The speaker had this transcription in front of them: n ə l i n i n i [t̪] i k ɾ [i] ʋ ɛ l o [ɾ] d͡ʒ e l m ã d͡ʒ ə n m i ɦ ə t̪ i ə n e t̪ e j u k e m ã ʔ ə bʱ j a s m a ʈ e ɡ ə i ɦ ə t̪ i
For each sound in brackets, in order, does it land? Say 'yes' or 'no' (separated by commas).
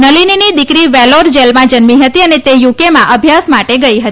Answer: no, yes, yes